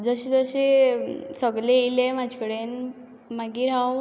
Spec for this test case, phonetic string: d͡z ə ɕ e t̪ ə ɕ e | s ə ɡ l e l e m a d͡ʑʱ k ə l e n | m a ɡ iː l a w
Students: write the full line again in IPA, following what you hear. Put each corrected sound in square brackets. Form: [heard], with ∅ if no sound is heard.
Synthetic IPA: d͡z ə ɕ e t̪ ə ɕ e | s ə ɡ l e l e m a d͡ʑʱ k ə [ɽ] e n | m a ɡ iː [ɾ] a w